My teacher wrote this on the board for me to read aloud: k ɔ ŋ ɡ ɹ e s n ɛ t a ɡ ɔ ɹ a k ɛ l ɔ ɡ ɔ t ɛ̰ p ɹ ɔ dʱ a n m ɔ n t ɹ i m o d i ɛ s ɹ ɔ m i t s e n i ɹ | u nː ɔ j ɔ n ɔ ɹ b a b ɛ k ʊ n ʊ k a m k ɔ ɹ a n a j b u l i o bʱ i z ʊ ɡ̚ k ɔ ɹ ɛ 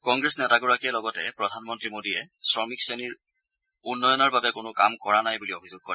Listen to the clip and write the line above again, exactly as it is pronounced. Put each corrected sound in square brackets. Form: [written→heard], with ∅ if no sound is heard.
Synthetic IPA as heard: k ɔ ŋ ɡ ɹ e s n ɛ t a ɡ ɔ ɹ a k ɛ l ɔ ɡ ɔ t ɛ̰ p ɹ ɔ dʱ a n m ɔ n t ɹ i m o d i ɛ s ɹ ɔ m i [t→k] s e n i ɹ | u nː ɔ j ɔ n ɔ ɹ b a b ɛ k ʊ n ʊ k a m k ɔ ɹ a n a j b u l i o bʱ i z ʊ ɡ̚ k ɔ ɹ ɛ